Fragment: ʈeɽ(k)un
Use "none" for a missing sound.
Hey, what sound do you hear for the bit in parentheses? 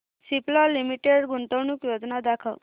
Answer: ɡ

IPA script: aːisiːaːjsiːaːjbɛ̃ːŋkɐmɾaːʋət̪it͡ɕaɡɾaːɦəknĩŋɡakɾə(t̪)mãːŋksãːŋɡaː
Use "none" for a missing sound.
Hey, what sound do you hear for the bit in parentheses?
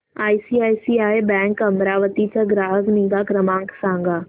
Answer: none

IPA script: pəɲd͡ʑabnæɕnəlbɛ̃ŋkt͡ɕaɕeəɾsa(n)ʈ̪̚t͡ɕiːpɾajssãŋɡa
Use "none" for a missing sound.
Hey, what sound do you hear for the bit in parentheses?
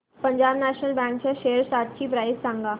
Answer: none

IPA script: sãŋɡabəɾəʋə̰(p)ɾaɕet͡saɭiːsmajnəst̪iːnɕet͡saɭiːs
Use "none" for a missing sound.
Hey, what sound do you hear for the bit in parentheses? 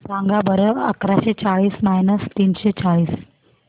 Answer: k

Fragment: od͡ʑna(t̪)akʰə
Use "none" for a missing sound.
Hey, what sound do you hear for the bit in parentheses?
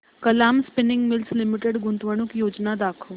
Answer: d̪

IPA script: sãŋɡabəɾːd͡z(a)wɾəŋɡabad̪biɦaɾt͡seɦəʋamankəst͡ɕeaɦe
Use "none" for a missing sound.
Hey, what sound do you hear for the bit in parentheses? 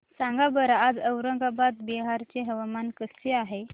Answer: ə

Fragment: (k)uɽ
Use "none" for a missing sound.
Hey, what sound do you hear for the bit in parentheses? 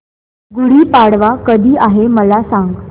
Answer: ɡ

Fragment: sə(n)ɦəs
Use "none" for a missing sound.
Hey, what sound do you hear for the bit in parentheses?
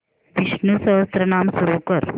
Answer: none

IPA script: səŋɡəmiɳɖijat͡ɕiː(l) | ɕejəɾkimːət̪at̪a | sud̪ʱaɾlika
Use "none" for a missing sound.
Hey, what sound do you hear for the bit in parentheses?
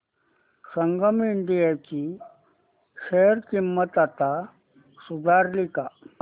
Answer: none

